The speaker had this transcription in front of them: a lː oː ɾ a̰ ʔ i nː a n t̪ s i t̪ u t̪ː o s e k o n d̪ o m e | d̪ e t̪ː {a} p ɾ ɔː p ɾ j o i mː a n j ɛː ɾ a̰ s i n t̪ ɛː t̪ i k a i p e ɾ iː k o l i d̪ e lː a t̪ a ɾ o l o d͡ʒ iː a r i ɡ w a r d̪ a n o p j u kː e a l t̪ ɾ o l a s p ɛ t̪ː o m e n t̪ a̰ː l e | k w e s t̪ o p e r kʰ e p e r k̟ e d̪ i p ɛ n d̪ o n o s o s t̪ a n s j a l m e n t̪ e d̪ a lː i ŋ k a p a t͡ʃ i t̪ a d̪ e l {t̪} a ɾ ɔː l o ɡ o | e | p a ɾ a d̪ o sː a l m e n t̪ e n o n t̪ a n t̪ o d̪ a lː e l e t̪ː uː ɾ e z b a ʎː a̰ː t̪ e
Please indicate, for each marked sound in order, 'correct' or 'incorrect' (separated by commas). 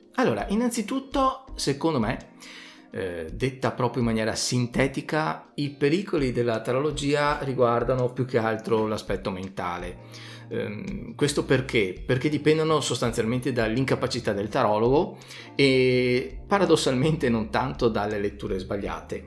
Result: correct, correct